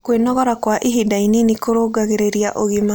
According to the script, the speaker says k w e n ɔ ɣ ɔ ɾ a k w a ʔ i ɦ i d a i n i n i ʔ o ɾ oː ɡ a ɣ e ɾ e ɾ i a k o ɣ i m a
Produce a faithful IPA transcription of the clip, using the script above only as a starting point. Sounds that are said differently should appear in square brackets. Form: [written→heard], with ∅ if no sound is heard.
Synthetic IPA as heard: k w e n ɔ ɣ ɔ ɾ a k w a ʔ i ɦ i d a i n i n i [ʔ→k] o ɾ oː ɡ a ɣ e ɾ e ɾ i a [k→ʔ] o ɣ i m a

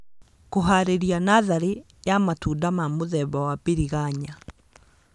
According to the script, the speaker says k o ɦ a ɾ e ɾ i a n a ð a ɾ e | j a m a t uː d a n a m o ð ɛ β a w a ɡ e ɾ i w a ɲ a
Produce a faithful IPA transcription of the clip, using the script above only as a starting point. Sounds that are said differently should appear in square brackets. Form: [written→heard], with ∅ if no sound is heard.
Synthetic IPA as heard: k o ɦ a ɾ e ɾ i a n a ð a ɾ e | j a m a t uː d a [n→m] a m o ð ɛ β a w a [ɡ→b] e ɾ i [w→ɣ] a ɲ a

